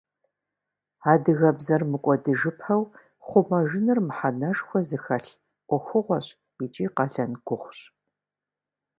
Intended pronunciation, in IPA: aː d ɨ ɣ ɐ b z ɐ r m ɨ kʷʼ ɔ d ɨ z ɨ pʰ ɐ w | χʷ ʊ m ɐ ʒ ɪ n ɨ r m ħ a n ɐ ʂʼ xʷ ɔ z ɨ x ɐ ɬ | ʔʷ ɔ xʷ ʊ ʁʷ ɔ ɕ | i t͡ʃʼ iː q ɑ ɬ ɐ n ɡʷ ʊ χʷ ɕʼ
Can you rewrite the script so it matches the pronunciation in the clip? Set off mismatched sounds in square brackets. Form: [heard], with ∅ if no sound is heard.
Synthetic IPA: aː d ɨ ɣ ɐ b z ɐ r m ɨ kʷʼ ɔ d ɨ [ʒ] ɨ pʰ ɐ w | χʷ ʊ m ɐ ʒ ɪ n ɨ r m ħ a n ɐ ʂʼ xʷ ɔ z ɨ x ɐ ɬ | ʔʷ ɔ xʷ ʊ ʁʷ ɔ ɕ | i t͡ʃʼ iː q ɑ ɬ ɐ n ɡʷ ʊ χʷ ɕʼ